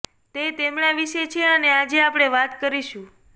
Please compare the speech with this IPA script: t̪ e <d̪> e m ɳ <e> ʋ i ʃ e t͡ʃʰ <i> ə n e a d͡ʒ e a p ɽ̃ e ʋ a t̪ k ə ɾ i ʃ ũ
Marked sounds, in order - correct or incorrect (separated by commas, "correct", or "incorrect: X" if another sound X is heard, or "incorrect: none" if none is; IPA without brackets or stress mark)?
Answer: incorrect: t̪, incorrect: a, incorrect: e